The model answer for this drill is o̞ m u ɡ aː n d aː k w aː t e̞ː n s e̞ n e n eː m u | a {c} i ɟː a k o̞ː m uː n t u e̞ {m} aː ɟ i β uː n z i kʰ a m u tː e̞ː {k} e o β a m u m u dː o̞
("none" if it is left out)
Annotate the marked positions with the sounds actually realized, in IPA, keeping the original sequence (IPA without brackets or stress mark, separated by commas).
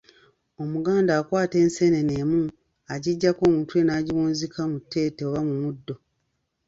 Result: ɟ, n, t